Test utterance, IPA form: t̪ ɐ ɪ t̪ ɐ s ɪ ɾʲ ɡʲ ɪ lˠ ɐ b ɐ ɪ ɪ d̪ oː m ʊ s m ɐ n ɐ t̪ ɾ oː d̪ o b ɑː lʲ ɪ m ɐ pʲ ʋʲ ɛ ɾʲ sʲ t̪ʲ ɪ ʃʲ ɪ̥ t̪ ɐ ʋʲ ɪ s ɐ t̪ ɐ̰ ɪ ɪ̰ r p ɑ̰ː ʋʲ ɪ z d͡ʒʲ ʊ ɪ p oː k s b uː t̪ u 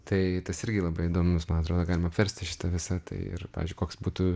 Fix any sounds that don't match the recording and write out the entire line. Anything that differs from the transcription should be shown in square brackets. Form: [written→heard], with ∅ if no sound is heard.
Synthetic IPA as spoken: t̪ ɐ ɪ t̪ ɐ s ɪ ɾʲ ɡʲ ɪ lˠ ɐ b ɐ ɪ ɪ d̪ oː m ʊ s m ɐ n ɐ t̪ ɾ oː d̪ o [b→ɡ] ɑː lʲ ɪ m ɐ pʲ ʋʲ ɛ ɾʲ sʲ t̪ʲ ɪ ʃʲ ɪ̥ t̪ ɐ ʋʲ ɪ s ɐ t̪ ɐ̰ ɪ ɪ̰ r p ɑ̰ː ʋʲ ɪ z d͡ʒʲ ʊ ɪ [p→k] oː k s b uː t̪ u